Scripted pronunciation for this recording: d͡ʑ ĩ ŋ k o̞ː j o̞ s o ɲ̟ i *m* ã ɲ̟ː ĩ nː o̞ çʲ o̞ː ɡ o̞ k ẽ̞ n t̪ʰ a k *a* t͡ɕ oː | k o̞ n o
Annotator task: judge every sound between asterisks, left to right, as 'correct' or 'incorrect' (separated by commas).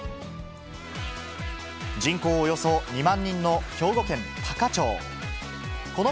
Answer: correct, correct